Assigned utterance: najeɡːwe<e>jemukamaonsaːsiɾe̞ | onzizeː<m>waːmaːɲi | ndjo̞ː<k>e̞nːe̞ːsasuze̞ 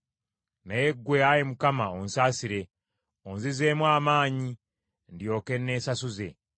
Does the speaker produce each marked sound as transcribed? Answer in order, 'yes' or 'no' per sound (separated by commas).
no, yes, yes